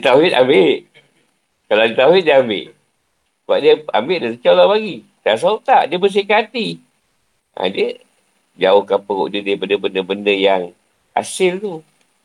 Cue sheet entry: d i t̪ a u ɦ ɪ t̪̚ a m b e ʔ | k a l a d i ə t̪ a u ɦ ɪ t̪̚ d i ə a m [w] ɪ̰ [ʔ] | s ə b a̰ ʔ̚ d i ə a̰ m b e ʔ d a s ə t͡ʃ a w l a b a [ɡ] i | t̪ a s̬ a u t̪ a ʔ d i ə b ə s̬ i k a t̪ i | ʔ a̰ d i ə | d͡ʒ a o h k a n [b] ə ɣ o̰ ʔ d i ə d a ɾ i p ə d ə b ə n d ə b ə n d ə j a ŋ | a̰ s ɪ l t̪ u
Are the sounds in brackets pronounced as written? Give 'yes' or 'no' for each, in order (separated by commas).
no, yes, yes, no